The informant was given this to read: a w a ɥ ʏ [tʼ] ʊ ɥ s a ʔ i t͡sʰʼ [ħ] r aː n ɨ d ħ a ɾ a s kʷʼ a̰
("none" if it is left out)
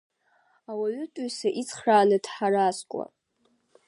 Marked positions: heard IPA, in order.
tʼ, χ

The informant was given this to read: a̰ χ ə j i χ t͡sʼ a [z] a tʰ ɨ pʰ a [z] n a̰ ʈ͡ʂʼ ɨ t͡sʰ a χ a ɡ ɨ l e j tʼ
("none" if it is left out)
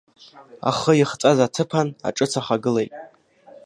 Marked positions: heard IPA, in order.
z, none

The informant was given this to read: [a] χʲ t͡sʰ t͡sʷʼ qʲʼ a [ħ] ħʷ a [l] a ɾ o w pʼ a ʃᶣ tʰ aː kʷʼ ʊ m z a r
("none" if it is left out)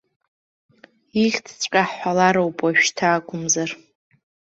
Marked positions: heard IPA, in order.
i, ħ, l

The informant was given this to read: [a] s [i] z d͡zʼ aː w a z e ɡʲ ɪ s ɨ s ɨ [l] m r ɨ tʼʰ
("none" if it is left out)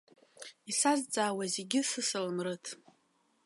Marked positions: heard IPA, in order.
i, a, l

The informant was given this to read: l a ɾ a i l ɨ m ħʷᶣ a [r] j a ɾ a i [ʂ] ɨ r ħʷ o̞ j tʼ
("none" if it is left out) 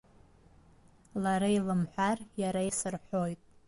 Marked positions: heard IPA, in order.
r, s

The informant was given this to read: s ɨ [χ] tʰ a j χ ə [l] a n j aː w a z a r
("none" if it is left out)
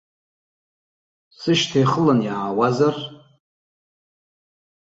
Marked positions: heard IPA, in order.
ʃ, l

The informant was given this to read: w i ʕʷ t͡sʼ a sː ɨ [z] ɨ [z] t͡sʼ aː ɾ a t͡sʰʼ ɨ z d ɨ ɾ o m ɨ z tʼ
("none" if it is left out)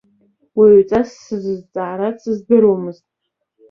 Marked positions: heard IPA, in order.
z, z

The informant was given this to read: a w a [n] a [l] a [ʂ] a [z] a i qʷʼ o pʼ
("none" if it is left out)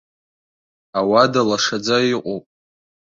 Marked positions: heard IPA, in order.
d, l, ʂ, d͡z

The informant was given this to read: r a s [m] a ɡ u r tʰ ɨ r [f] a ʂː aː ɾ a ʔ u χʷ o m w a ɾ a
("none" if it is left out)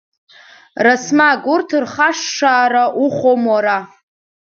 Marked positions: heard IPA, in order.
m, χ

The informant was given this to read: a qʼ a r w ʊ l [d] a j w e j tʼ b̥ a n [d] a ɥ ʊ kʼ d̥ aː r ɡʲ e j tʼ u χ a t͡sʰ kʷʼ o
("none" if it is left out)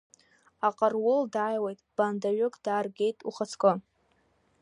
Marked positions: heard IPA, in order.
d, d

